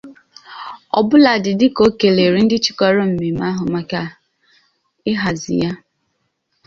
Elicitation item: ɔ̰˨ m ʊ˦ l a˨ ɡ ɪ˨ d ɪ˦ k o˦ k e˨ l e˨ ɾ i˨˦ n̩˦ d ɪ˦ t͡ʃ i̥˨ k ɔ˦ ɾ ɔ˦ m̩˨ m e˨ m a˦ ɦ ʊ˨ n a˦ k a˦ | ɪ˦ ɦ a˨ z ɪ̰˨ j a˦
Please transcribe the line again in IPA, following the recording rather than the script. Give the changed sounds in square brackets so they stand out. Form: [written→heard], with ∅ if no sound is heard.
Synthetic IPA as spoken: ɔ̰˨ [m→b] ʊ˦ l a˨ [ɡ→d] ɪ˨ d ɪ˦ k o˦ k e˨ l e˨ ɾ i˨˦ n̩˦ d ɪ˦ t͡ʃ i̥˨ k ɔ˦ ɾ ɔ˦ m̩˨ m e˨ m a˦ ɦ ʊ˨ [n→m] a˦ k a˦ | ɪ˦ ɦ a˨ z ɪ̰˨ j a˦